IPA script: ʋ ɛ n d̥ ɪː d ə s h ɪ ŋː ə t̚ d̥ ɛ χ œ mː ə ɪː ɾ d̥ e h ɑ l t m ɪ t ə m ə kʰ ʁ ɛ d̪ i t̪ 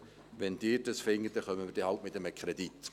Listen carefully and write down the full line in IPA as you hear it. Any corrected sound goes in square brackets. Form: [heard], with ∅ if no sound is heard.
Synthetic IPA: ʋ ɛ n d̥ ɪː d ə s [f] ɪ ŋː ə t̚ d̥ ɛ χ œ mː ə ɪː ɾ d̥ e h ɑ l t m ɪ t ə m ə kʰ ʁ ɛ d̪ i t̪